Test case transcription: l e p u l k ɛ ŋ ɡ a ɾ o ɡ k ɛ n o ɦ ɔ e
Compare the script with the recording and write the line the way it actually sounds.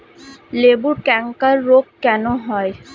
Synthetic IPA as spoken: l e b u ɾ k ɛ ŋ k a ɾː o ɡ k ɛ n o ɦ ɔ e